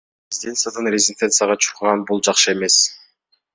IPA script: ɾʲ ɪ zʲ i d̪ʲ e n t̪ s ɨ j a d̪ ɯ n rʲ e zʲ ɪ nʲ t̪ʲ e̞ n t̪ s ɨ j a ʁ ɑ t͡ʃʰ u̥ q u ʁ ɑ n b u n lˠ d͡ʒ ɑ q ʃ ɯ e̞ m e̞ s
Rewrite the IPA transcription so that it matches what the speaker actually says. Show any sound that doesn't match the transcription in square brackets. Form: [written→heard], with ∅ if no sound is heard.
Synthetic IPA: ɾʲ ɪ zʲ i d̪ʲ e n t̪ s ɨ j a d̪ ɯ n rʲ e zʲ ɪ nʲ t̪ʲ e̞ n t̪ s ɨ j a ʁ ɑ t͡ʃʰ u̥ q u ʁ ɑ n b u [n→∅] lˠ d͡ʒ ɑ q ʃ ɯ e̞ m e̞ s